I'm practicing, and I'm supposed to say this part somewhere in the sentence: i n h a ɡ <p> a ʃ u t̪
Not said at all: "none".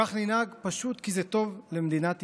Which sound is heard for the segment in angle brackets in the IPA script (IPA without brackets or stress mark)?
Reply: p